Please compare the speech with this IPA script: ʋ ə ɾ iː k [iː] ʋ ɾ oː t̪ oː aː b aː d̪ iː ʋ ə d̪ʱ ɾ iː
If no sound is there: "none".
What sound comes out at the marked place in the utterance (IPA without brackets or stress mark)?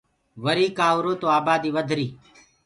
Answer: aː